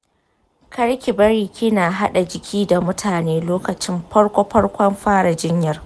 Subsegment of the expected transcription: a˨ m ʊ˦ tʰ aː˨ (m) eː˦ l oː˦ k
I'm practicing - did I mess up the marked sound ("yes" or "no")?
yes